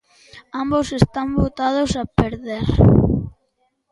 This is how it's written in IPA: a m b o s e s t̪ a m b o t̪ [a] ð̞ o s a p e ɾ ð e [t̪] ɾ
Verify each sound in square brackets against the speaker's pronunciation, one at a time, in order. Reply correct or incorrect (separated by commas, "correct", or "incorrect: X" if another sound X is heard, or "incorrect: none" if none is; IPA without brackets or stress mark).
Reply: correct, incorrect: none